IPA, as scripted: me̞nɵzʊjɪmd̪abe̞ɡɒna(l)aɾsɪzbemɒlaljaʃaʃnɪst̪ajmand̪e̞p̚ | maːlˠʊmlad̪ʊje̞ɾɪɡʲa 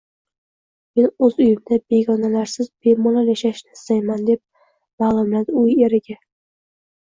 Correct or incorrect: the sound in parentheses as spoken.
correct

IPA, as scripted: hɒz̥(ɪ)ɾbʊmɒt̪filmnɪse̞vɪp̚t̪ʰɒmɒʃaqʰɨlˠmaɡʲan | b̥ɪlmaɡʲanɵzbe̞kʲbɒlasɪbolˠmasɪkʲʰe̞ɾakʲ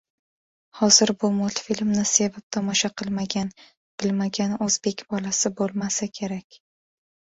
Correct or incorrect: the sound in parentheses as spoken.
correct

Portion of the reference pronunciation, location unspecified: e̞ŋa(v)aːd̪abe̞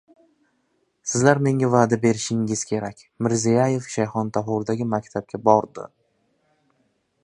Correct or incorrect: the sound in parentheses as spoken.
correct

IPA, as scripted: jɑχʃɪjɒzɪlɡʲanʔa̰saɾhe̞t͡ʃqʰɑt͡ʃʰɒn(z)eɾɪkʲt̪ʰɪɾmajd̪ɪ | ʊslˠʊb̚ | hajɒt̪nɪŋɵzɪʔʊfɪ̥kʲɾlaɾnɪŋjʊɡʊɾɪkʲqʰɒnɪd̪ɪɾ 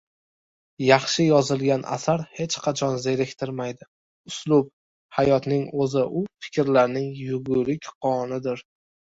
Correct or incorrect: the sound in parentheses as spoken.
correct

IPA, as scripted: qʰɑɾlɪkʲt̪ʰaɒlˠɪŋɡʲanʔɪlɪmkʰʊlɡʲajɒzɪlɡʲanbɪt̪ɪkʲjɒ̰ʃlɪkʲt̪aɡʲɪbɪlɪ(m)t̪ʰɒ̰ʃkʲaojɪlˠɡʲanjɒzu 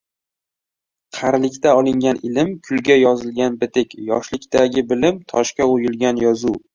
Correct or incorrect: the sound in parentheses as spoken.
correct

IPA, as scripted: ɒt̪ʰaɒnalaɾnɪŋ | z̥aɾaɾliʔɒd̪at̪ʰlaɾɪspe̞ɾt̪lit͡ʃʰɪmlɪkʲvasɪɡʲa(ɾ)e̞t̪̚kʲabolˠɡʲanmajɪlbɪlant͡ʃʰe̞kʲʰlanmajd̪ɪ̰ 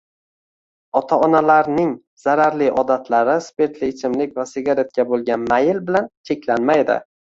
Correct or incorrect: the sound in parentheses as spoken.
correct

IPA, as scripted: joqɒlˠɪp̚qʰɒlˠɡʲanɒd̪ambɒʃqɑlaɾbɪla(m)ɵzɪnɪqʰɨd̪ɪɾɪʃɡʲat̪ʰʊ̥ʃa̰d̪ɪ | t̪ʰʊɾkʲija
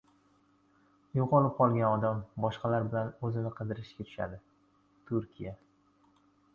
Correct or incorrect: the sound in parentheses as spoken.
incorrect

